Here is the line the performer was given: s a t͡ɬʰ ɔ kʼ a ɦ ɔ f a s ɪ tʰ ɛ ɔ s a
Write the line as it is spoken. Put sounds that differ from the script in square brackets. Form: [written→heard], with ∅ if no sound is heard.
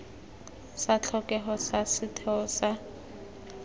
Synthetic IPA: s a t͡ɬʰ ɔ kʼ [a→ɛ] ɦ ɔ [f→s] a s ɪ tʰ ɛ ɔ s a

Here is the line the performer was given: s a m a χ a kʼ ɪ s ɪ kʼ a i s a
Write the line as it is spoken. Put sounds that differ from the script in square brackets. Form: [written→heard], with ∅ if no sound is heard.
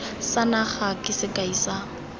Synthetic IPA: s a [m→n] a χ a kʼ ɪ s ɪ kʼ a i s a

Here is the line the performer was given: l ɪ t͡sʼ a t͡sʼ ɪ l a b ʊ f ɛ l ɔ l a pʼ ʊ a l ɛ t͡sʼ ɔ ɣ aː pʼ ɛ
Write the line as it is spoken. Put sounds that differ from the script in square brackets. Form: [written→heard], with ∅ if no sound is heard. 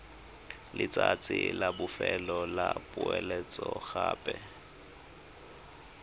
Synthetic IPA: l ɪ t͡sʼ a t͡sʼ ɪ l a b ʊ f ɛ l ɔ l a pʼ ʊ [a→ɛ] l ɛ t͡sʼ ɔ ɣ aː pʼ ɛ

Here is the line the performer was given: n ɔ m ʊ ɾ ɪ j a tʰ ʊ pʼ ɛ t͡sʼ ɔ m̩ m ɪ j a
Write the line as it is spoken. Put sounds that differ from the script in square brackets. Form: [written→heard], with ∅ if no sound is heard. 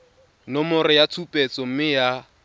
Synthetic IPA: n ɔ m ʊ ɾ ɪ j a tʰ [ʊ→u] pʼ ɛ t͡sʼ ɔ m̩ m ɪ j a

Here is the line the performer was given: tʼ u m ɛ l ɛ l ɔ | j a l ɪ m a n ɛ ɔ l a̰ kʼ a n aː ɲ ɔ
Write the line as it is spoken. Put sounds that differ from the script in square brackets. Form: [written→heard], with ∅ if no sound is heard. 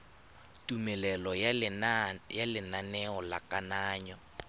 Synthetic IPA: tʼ u m ɛ l ɛ l ɔ | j a l ɪ [m→n] a n ɛ ɔ l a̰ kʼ a n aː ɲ ɔ

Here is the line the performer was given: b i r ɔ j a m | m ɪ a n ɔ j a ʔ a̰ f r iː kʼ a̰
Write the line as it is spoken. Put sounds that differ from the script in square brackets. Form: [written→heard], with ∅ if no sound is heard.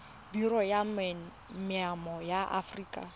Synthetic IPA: b i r ɔ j a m | m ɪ a [n→m] ɔ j a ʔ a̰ f r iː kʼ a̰

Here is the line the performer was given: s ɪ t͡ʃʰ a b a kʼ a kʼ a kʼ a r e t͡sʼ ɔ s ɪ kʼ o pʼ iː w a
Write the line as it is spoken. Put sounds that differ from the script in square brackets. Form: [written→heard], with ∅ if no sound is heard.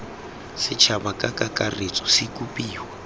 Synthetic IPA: s ɪ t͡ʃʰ a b a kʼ a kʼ a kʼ a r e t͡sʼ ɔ s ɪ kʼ [o→u] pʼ iː w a

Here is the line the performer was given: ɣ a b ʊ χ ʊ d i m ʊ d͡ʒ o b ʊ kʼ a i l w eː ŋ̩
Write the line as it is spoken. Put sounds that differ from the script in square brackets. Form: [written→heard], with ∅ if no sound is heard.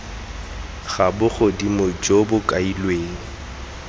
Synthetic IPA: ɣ a b ʊ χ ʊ d i m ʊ d͡ʒ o b ʊ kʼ a i l w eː ŋ̩

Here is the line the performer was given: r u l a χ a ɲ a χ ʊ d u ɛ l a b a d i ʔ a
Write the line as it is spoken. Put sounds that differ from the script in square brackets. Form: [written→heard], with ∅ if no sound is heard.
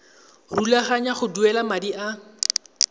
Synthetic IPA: r u l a χ a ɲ a χ ʊ d u ɛ l a [b→m] a d i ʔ a

